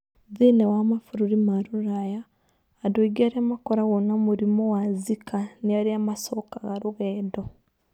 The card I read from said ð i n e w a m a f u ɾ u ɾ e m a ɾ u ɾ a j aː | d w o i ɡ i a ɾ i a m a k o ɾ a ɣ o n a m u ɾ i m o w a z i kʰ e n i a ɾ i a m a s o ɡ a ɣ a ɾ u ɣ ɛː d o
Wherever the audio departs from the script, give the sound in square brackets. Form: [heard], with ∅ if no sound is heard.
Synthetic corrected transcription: ð i n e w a m a f u ɾ u ɾ [i] m a ɾ u ɾ a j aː | d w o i ɡ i a ɾ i a m a k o ɾ a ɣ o n a m u ɾ i m o w a z i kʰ [a] n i a ɾ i a m a s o [k] a ɣ a ɾ u ɣ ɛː d o